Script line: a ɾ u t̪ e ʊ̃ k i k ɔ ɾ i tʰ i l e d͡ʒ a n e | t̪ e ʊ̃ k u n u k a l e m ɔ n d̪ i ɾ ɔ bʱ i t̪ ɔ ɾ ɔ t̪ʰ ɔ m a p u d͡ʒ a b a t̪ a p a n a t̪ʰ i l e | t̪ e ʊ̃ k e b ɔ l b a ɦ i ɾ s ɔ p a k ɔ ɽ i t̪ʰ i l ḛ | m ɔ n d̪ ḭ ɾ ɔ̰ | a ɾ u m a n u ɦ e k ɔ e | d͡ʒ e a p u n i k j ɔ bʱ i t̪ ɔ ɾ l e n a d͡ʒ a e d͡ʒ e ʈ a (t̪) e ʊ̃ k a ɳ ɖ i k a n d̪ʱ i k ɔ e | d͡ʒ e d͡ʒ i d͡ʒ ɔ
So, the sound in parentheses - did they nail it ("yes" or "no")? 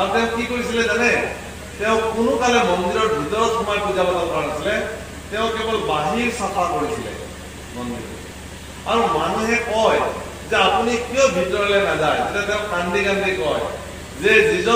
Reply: yes